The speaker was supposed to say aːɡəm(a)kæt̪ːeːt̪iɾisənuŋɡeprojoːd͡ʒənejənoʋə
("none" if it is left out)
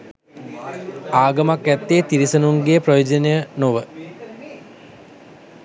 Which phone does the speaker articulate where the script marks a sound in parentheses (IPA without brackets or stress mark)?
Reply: a